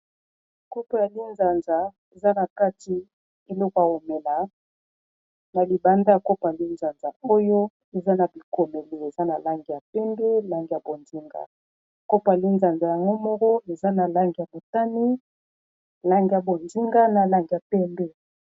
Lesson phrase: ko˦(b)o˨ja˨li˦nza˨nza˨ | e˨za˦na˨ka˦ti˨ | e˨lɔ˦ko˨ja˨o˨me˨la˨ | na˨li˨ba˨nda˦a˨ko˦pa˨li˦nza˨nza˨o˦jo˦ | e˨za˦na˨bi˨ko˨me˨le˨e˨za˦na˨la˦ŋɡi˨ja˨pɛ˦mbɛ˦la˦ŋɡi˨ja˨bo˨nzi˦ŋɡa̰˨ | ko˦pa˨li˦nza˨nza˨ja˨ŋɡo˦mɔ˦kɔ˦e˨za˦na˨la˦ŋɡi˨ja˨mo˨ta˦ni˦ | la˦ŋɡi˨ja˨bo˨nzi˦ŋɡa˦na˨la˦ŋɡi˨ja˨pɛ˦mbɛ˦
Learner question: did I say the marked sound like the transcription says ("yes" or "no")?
no